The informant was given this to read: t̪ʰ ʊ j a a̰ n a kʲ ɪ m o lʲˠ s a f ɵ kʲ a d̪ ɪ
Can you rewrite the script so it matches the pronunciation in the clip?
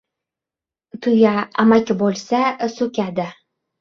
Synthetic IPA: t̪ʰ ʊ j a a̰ m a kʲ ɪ b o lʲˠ s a s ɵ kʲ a d̪ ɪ